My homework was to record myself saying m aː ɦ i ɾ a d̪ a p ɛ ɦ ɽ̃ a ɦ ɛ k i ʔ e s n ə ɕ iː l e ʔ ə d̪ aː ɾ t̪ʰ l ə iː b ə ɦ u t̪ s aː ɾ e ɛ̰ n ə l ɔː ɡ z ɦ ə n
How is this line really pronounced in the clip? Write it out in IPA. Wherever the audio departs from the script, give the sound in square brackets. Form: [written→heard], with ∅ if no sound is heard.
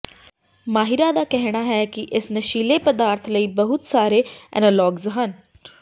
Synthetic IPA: m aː ɦ i ɾ a d̪ a [p→k] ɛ ɦ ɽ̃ a ɦ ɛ k i ʔ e s n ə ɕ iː l e [ʔ→p] ə d̪ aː ɾ t̪ʰ l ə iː b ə ɦ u t̪ s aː ɾ e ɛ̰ n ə l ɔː ɡ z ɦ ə n